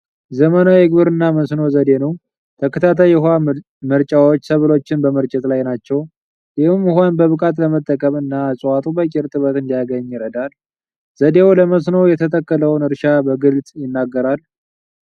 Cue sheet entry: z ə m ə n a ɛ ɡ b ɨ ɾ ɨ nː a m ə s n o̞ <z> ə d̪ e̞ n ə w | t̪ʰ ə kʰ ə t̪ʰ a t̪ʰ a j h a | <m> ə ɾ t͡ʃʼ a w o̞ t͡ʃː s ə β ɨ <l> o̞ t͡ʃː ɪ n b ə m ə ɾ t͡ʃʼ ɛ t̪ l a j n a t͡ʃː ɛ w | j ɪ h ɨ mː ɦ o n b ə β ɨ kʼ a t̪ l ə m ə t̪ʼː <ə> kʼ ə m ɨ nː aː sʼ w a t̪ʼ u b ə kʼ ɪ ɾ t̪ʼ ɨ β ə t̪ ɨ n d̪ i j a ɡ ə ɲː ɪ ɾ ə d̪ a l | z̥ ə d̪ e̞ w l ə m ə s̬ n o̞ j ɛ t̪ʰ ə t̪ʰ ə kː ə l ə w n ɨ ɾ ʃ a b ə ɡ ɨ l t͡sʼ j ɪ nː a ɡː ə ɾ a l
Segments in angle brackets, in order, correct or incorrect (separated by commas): correct, correct, correct, correct